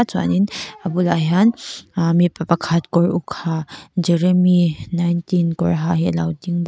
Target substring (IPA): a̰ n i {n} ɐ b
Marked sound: correct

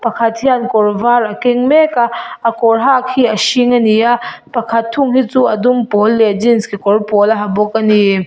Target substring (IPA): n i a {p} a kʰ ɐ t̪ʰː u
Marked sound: correct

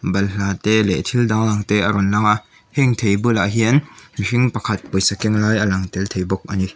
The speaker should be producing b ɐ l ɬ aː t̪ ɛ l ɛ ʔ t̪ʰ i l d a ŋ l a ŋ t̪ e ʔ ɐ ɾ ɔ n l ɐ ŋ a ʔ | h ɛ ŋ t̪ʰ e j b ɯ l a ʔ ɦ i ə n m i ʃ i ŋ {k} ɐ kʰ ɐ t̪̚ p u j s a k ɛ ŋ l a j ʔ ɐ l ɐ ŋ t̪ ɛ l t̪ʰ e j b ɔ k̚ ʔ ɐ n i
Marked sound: incorrect: p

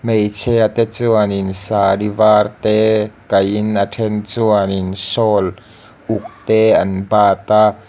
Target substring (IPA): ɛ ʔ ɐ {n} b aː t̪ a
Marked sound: correct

